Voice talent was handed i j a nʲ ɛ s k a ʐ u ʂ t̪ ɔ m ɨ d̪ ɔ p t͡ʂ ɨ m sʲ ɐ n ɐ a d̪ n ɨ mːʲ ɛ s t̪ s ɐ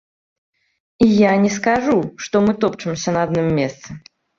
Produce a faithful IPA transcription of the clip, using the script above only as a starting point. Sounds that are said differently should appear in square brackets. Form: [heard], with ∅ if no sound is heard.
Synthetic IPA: i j a nʲ ɛ s k a ʐ u ʂ t̪ ɔ m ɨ [t̪] ɔ p t͡ʂ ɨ m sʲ ɐ n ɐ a d̪ n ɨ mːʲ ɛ s t̪ s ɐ